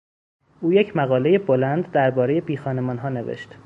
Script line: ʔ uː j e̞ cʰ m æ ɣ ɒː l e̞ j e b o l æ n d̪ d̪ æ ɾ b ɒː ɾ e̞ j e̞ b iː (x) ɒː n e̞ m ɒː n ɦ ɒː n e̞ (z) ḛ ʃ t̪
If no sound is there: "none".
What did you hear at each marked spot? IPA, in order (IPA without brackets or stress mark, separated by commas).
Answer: x, v